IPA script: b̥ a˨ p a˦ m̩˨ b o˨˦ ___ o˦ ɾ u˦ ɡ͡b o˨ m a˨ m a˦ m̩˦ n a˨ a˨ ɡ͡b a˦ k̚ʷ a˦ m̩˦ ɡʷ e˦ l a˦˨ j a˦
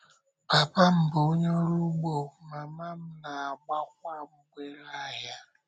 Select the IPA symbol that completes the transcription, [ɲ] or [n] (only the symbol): ɲ